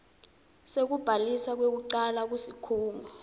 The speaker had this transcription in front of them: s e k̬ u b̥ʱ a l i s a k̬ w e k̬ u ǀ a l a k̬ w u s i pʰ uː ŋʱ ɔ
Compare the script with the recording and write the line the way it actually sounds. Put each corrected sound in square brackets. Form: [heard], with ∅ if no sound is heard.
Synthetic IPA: s e k̬ u b̥ʱ a l i s a k̬ w e k̬ u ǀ a l a k̬ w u s i [kʰ] uː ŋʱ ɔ